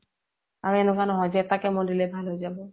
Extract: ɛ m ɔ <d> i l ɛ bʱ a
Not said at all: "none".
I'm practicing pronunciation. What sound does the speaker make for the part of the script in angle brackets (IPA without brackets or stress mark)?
d